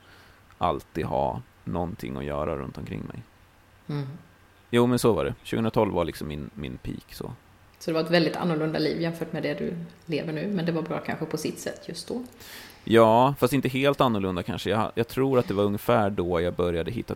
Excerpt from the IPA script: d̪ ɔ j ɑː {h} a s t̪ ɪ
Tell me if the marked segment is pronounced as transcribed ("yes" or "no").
no